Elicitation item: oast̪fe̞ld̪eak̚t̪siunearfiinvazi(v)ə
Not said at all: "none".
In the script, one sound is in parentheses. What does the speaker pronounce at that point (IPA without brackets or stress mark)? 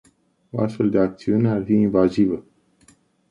v